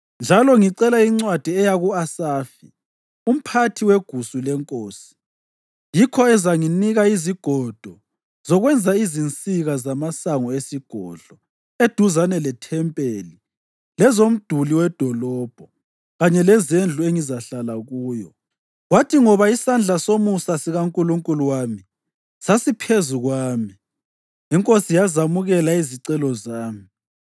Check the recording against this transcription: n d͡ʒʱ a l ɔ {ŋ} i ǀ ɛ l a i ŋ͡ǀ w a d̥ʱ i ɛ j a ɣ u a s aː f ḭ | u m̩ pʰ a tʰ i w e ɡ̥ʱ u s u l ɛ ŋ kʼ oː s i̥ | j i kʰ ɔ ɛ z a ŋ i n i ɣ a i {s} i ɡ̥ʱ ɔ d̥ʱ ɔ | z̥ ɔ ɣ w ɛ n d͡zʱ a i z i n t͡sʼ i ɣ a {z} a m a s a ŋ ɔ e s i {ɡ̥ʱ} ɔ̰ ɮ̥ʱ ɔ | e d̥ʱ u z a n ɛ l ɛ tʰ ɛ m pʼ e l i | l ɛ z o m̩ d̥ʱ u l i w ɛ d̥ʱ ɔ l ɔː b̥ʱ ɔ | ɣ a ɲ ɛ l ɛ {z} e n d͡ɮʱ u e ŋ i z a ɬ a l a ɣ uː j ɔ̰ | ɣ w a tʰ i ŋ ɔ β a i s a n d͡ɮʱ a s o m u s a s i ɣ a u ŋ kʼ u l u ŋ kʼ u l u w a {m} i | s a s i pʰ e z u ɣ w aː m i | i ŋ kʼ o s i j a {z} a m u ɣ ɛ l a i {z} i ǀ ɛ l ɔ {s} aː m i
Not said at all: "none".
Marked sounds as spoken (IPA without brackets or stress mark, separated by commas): ŋ, z, z, ɡ̥ʱ, z, m, z, z, z